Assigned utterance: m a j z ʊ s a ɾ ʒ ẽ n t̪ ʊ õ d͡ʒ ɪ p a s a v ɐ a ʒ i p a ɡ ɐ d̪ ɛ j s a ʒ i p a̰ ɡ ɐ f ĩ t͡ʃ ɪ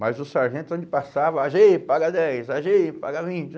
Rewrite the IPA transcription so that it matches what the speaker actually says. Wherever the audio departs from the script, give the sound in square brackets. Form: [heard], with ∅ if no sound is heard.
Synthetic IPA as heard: m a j z ʊ s a ɾ ʒ ẽ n t̪ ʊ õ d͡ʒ ɪ p a s a v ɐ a ʒ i p a ɡ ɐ d̪ ɛ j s a ʒ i p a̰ ɡ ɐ [v] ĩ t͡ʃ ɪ